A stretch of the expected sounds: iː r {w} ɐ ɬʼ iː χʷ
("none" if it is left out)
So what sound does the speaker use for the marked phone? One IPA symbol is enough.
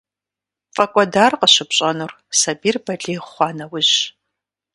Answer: b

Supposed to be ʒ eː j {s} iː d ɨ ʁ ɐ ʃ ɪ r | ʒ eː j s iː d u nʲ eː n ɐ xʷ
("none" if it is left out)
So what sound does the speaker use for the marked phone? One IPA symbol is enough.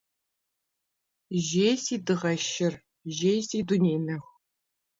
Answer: s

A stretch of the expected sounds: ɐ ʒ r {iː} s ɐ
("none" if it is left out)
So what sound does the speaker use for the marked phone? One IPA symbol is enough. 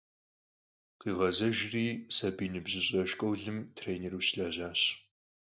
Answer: iː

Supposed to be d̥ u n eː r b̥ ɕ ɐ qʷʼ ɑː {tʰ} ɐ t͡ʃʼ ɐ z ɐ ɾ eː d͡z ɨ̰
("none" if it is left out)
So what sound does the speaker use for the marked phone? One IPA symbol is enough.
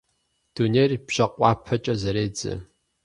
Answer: pʰ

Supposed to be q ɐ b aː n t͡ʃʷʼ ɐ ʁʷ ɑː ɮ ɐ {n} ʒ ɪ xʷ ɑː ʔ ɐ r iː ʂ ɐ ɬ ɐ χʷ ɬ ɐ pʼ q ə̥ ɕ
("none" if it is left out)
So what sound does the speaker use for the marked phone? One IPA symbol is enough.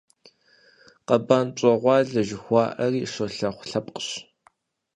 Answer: none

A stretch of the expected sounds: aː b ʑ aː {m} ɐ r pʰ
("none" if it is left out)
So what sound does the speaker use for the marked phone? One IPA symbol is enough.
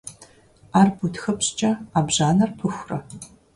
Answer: n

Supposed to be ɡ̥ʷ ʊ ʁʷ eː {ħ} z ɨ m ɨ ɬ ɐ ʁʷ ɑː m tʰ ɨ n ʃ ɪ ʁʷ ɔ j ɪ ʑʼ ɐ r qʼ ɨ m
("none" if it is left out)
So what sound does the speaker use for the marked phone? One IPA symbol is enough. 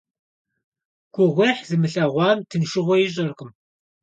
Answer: ħ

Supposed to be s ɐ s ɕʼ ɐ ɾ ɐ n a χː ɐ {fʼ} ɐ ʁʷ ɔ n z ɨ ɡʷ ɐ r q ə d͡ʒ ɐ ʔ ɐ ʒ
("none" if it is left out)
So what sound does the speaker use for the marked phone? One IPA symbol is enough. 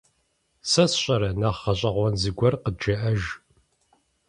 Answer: ɕʼ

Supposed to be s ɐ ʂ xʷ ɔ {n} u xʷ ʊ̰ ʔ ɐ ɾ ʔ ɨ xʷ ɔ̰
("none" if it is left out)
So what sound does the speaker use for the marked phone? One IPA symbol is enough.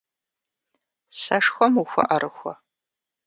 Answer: m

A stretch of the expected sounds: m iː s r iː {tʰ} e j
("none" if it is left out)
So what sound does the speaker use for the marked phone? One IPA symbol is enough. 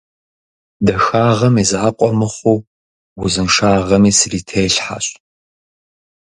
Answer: tʰ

